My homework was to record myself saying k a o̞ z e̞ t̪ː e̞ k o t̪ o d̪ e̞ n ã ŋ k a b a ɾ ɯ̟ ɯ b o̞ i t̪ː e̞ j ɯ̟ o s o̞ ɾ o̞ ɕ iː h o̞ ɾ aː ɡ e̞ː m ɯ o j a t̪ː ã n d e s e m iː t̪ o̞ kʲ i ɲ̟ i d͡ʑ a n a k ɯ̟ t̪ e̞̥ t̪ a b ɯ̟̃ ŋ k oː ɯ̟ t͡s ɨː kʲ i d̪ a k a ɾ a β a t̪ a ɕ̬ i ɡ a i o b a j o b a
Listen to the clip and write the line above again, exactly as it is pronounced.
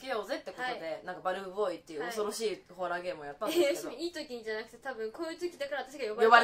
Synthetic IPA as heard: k e o̞ z e̞ t̪ː e̞ k o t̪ o d̪ e̞ n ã ŋ k a b a ɾ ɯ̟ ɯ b o̞ i t̪ː e̞ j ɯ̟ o s o̞ ɾ o̞ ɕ iː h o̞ ɾ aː ɡ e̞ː m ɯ o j a t̪ː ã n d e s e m iː t̪ o̞ kʲ i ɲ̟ i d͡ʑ a n a k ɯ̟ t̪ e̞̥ t̪ a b ɯ̟̃ ŋ k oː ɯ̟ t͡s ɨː kʲ i d̪ a k a ɾ a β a t̪ a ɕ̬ i ɡ a j o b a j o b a